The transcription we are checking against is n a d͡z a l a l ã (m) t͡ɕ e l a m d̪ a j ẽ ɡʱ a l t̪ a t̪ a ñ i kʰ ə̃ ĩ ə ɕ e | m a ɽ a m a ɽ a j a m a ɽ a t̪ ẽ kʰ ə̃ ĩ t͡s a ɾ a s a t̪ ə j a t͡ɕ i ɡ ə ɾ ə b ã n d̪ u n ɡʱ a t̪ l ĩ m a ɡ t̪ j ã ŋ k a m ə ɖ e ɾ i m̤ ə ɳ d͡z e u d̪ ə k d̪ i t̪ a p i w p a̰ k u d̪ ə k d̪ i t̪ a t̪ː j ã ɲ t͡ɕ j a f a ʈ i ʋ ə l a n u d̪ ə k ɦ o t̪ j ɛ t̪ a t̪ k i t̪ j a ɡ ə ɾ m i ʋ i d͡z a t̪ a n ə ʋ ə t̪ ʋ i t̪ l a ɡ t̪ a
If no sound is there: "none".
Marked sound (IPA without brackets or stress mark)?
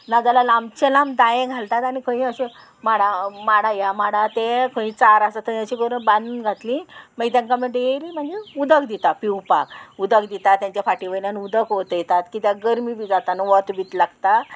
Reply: m